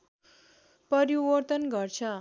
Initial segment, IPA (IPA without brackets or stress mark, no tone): p